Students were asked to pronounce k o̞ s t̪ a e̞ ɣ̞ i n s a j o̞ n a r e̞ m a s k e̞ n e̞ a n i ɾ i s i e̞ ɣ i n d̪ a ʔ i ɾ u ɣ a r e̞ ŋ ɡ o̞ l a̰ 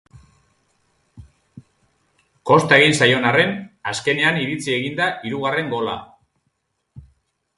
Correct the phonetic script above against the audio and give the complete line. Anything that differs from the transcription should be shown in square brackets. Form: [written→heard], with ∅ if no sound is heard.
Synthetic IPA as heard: k o̞ s t̪ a e̞ ɣ̞ i n s a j o̞ n a r e̞ [m→n] a s k e̞ n e̞ a n i ɾ i [s→t͡s] i e̞ ɣ i n d̪ a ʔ i ɾ u ɣ a r e̞ ŋ ɡ o̞ l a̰